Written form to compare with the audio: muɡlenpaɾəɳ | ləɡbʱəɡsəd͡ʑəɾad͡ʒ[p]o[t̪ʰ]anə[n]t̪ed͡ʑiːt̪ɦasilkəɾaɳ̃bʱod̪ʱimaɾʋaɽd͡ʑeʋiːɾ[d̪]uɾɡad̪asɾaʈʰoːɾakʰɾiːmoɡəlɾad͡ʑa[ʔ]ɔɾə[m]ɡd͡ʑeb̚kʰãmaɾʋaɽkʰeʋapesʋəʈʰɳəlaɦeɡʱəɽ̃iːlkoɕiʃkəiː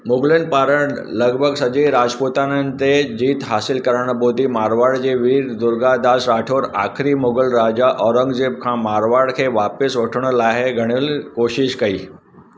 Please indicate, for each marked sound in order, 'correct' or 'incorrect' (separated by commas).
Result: correct, incorrect, correct, correct, correct, incorrect